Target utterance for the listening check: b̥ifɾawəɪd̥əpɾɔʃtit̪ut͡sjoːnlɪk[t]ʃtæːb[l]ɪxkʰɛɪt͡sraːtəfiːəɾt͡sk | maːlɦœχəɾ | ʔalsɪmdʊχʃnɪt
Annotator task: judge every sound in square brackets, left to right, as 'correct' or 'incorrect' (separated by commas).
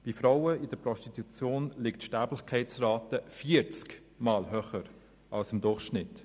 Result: correct, correct